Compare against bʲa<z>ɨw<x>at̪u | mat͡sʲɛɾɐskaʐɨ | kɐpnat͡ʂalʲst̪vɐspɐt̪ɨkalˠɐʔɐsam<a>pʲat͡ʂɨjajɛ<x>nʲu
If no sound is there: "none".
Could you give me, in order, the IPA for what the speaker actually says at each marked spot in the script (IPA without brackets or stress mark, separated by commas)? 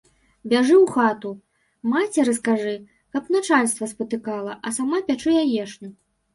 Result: ʐ, x, a, ʂ